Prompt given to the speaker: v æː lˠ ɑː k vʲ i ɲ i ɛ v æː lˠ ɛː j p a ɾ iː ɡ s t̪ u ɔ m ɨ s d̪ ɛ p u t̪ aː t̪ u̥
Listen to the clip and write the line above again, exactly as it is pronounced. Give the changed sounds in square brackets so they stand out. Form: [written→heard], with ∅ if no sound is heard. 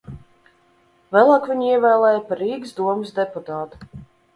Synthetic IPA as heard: v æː lˠ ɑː k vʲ i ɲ i ɛ v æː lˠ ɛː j p a ɾ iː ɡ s [t̪→d̪] u ɔ m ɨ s d̪ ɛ p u t̪ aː t̪ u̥